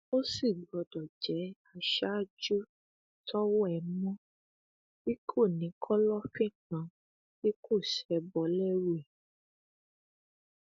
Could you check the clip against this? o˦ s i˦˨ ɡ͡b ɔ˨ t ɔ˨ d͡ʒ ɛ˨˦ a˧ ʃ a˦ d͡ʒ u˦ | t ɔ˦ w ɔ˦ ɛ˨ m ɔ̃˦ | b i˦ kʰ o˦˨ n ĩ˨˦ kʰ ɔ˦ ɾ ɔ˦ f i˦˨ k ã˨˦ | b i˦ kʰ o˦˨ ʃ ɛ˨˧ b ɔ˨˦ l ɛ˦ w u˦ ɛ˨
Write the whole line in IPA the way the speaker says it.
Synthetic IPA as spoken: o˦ s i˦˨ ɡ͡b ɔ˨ d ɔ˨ d͡ʒ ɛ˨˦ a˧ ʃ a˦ d͡ʒ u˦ | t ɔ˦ w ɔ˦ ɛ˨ m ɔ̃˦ | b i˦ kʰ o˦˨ n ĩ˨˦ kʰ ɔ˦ l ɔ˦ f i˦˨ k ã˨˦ | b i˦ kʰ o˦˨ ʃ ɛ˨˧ b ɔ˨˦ l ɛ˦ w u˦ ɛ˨